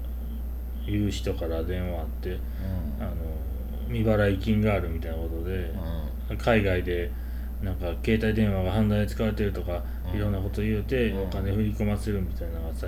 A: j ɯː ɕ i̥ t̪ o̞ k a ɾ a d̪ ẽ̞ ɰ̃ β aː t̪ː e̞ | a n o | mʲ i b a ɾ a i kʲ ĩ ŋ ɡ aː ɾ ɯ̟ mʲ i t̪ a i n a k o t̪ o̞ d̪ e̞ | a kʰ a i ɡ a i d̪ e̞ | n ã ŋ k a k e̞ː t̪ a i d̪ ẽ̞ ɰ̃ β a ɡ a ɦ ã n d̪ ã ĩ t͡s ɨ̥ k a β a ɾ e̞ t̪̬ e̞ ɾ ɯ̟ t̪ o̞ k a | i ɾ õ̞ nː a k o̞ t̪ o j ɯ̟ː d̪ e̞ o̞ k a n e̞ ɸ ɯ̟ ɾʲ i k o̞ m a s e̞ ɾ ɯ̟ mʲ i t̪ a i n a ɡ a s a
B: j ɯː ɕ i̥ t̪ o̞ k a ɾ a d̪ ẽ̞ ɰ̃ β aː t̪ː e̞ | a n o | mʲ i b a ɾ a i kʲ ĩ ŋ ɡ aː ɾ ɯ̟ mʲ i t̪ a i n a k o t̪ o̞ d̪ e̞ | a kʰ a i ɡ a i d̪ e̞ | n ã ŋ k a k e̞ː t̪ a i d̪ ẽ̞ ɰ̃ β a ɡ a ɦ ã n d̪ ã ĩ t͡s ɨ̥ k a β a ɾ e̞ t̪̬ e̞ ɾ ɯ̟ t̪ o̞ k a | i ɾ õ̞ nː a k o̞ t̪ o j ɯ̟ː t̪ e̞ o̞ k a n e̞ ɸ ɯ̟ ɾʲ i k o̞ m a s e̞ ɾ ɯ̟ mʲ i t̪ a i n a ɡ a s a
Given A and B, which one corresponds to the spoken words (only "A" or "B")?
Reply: B